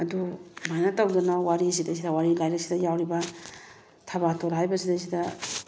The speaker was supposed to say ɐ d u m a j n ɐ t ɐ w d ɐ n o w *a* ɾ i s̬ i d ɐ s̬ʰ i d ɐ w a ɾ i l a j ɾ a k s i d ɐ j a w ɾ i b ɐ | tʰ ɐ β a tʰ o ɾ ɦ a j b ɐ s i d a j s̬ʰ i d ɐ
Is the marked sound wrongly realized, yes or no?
no